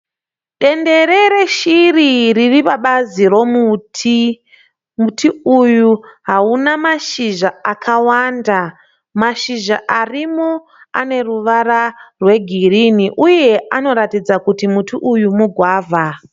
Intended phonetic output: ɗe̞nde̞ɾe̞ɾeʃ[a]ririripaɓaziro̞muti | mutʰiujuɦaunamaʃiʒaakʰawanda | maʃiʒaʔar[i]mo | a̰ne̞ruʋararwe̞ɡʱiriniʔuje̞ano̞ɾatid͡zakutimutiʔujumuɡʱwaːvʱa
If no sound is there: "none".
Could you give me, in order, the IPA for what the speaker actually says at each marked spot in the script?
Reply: i, i

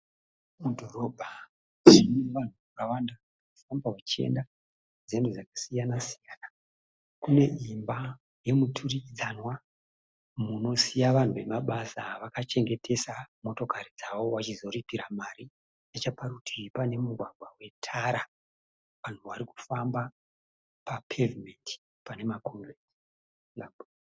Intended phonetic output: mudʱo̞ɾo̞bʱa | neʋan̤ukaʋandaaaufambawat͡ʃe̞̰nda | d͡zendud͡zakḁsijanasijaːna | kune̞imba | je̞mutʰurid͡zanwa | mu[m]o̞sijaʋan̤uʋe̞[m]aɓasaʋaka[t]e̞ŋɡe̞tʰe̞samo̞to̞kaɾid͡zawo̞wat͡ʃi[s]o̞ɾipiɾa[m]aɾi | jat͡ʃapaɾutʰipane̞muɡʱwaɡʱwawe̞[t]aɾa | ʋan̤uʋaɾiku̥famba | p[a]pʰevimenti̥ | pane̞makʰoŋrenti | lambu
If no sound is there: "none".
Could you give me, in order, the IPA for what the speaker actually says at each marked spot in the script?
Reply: n, m, t͡ʃ, z, m, tʰ, a

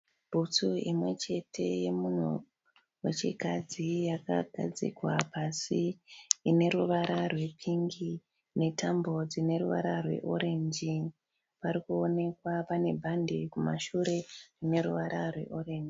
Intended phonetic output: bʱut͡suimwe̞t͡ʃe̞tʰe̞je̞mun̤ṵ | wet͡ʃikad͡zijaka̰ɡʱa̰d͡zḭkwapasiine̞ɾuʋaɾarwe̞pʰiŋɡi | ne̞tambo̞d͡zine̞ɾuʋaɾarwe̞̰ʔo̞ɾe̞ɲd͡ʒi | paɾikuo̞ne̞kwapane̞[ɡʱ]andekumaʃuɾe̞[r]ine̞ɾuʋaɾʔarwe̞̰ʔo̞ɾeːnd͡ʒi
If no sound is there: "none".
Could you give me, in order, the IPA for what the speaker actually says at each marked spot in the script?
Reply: bʱ, r

